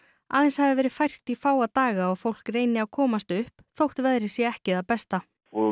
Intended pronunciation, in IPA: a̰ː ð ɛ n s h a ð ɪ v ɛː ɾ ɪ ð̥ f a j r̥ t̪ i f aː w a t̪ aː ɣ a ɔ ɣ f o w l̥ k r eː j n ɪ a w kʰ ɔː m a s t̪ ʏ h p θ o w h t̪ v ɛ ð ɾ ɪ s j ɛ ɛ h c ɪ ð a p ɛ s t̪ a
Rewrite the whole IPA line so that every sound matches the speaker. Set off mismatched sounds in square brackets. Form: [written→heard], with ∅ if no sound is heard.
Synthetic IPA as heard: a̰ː ð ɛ n s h a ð ɪ v ɛː ɾ ɪ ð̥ f a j r̥ t̪ i f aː w a t̪ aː ɣ a ɔ ɣ f o w l̥ k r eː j n ɪ a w kʰ ɔː m a s t̪ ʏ h p θ o w h t̪ v ɛ ð ɾ ɪ s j ɛ ɛ h c ɪ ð a p ɛ s t̪ a